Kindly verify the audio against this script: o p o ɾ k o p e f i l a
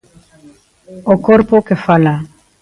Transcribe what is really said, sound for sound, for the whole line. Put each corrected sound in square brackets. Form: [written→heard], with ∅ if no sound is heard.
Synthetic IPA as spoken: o [p→k] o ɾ [k→p] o [p→k] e f [i→a] l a